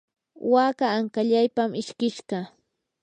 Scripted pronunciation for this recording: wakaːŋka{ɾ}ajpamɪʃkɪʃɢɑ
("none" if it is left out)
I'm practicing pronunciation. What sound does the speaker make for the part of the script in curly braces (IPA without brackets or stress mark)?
ʎ